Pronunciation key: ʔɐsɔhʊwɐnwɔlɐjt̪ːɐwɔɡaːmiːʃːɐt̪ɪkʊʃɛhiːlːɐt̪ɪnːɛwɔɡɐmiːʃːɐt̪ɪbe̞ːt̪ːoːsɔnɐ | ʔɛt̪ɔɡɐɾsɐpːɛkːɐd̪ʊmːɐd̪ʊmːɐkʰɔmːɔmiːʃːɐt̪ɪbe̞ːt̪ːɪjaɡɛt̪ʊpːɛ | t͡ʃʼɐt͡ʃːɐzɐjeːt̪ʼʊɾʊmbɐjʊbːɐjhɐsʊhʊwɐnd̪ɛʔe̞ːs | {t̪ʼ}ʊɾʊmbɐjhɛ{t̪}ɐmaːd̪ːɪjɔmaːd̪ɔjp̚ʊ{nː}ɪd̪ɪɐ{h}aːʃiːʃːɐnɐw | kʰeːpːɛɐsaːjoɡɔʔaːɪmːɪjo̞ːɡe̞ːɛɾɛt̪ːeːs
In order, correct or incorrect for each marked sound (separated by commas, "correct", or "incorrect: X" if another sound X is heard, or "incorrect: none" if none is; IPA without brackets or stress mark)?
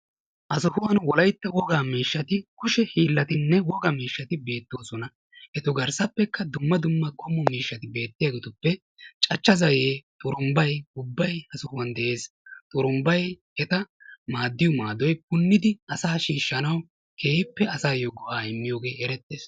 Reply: correct, correct, correct, incorrect: s